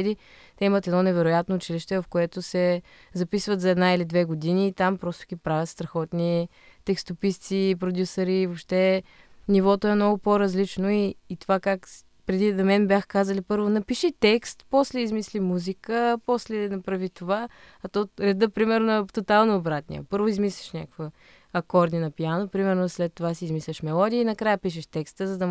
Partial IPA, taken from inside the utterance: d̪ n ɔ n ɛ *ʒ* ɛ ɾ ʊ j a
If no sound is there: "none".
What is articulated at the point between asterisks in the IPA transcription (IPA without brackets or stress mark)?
v